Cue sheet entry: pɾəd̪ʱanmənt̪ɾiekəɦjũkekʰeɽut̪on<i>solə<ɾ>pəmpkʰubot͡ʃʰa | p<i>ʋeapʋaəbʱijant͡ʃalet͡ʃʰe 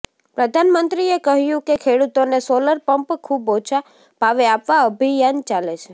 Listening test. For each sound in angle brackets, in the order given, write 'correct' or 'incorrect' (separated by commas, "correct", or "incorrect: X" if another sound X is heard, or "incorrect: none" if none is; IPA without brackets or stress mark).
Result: incorrect: e, correct, incorrect: a